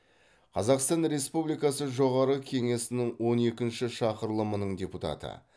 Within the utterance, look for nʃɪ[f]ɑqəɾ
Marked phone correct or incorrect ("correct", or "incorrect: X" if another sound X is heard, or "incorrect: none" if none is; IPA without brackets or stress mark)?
incorrect: ʃ